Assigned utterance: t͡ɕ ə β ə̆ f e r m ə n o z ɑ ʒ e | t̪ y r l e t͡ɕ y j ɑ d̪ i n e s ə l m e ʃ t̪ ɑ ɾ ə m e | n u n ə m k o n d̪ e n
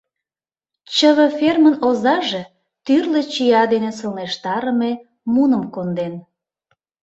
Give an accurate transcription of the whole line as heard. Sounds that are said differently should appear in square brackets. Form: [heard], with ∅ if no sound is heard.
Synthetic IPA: t͡ɕ ə β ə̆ f e r m ə n o z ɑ ʒ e | t̪ y r l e t͡ɕ [i] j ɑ d̪ [e] n e s ə l [n] e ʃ t̪ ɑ ɾ ə m e | [m] u n ə m k o n d̪ e n